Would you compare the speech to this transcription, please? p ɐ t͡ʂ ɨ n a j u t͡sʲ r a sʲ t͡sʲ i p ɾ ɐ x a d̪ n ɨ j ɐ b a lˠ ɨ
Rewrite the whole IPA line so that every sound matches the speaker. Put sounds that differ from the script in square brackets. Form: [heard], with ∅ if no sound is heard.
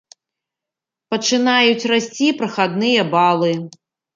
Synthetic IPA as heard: p ɐ t͡ʂ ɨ n a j u t͡sʲ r a sʲ t͡sʲ i p ɾ ɐ x a d̪ n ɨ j ɐ b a lˠ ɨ